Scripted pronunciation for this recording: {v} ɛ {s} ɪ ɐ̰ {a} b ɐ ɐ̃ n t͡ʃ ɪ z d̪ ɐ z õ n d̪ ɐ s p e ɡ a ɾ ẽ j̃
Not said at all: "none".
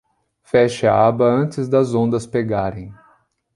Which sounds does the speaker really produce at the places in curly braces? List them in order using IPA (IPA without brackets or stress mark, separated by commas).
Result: f, ʃ, a